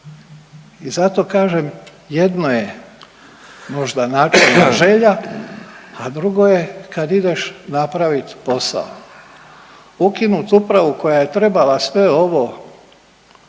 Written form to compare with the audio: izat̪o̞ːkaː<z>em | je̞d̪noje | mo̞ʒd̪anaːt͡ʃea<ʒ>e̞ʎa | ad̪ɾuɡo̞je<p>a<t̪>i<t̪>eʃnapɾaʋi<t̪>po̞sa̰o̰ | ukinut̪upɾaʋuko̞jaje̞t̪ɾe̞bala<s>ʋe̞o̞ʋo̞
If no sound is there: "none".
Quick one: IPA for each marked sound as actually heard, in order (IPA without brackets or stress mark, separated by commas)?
ʒ, ʒ, k, d̪, d̪, t̪, s